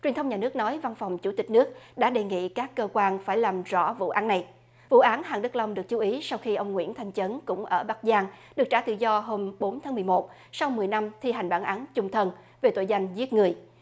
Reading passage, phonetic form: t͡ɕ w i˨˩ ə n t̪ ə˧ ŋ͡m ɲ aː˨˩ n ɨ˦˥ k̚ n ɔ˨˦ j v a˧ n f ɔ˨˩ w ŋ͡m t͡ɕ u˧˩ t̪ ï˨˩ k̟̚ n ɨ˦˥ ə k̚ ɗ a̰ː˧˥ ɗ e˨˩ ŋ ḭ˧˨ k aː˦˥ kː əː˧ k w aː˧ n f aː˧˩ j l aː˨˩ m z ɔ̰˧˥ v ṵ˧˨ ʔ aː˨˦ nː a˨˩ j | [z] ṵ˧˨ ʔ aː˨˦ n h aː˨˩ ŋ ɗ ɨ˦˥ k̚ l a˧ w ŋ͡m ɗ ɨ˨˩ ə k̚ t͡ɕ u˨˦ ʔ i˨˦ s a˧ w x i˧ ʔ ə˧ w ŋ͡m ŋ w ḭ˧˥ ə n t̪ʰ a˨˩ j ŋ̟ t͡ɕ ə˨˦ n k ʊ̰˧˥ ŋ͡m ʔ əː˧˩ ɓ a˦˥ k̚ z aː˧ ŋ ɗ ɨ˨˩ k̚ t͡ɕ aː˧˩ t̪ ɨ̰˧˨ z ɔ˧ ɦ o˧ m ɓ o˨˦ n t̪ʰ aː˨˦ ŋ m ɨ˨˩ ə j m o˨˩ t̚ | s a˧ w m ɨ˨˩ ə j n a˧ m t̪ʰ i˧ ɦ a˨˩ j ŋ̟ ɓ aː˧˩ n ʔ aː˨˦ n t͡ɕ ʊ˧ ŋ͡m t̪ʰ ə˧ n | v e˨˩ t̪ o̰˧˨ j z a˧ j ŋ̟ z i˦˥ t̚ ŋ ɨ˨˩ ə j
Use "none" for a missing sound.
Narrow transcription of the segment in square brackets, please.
v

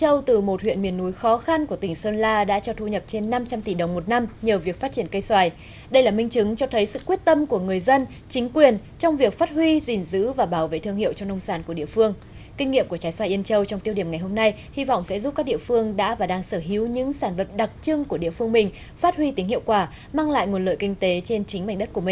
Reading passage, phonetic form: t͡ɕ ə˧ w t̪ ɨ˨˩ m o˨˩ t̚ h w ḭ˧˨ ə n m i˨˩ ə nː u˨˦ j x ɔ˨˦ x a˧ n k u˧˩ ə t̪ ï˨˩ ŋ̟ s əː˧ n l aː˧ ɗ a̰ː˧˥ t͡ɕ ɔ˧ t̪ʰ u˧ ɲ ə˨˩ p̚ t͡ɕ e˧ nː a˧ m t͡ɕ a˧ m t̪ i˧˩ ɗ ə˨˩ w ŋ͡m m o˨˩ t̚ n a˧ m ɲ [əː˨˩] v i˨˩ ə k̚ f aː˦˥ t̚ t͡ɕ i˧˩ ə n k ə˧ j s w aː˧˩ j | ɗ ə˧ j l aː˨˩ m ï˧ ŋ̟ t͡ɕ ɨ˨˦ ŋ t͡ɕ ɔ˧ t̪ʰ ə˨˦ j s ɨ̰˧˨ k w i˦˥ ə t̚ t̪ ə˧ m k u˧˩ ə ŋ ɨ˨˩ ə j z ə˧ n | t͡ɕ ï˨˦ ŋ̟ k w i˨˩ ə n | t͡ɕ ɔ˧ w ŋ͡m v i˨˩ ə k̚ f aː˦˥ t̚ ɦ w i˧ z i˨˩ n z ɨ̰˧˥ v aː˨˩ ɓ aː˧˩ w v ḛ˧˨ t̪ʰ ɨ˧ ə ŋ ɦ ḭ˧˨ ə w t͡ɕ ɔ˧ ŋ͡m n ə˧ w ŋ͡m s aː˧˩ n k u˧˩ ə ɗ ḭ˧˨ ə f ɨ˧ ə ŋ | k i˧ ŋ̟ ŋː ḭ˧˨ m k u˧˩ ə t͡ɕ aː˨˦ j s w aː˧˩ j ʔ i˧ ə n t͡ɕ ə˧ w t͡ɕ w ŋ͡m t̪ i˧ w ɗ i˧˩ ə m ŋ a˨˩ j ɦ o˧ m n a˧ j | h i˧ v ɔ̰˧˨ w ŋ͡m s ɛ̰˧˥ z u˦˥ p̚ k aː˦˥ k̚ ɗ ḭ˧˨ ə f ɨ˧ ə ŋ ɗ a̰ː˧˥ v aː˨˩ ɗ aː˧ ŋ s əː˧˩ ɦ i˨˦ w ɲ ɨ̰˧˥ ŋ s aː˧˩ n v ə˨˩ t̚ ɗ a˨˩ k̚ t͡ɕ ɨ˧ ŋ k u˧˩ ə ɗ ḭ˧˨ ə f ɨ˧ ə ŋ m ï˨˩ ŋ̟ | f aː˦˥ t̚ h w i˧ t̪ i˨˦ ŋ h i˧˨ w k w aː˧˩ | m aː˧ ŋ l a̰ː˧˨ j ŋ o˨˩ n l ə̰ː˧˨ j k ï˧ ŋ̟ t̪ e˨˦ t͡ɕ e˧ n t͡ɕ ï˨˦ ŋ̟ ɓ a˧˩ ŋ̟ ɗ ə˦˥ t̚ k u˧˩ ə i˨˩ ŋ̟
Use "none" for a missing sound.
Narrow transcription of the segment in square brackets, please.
əː˨˩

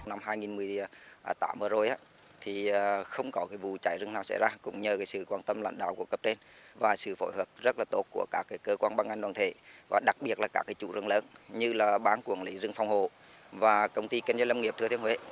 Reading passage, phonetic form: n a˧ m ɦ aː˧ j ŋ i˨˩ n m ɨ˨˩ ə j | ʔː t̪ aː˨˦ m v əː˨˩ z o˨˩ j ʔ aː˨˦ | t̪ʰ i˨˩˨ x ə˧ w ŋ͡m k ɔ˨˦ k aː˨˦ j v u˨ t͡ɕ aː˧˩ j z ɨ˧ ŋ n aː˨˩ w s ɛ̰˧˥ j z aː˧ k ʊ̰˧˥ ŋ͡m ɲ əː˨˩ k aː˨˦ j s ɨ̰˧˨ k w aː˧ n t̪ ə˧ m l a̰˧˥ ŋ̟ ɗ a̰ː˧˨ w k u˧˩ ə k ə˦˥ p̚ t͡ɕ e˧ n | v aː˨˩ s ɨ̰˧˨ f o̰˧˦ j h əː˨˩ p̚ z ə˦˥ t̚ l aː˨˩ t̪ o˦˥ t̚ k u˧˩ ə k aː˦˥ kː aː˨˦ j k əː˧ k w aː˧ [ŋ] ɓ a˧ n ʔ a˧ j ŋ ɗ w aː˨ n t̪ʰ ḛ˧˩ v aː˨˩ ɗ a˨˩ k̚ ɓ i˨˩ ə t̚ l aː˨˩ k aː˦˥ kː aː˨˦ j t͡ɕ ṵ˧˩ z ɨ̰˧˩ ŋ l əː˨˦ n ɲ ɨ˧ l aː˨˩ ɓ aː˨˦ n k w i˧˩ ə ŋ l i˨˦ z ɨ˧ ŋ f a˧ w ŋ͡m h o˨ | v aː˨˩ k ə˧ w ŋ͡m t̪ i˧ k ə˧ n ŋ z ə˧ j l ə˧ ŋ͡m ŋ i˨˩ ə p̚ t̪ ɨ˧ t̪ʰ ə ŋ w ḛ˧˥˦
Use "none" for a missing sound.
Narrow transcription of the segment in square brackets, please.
n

